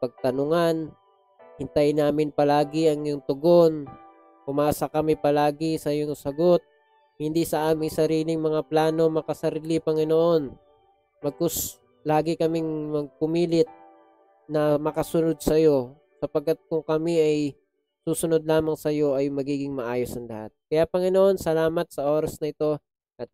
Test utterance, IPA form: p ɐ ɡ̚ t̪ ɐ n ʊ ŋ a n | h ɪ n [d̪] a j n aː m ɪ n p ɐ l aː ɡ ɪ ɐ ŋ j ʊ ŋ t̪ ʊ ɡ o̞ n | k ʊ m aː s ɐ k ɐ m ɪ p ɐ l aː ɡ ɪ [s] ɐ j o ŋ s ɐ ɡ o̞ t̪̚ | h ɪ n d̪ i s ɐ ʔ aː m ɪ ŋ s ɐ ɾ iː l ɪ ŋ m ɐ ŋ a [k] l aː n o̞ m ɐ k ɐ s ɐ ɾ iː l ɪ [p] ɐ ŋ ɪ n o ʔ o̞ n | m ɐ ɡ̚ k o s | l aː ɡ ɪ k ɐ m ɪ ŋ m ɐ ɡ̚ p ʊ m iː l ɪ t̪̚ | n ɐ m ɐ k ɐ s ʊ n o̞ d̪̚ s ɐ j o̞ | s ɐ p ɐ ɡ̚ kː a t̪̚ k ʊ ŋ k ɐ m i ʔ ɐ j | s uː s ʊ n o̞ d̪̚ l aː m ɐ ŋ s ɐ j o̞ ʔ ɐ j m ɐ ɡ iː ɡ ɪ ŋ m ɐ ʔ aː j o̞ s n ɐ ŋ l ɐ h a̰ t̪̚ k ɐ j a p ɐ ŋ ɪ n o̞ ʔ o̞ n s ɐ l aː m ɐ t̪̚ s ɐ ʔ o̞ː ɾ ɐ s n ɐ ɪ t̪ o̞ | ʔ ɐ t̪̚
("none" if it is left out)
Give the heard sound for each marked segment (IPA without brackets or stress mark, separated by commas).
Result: t̪, s, p, p